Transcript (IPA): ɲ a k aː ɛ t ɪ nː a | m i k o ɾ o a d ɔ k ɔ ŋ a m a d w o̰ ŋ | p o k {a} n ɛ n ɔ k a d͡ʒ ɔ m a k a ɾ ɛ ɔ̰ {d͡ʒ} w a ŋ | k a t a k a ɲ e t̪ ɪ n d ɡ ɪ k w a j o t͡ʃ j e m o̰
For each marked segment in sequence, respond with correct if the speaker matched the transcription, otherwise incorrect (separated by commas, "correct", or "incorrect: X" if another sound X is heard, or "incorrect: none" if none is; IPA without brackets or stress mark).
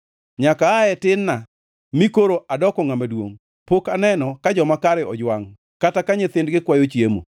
correct, correct